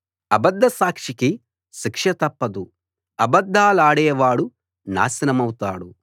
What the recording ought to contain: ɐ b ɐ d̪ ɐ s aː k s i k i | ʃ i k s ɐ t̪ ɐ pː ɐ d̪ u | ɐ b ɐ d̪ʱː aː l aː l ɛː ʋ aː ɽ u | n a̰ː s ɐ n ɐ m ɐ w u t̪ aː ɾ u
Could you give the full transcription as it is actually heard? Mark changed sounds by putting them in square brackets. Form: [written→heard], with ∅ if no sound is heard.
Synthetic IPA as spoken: ɐ b ɐ [d̪→d̪ː] ɐ s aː k [s→ʂ] i k i | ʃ i k [s→ʂ] ɐ t̪ ɐ pː ɐ d̪ u | ɐ b ɐ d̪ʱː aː l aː [l→ɽ] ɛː ʋ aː ɽ u | n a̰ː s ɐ n ɐ m ɐ w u t̪ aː [ɾ→ɽ] u